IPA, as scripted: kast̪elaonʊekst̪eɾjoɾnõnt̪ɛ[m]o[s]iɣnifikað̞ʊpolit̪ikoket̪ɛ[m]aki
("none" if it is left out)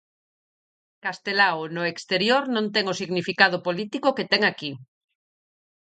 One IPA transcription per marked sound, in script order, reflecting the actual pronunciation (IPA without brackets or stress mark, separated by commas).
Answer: ŋ, s, ŋ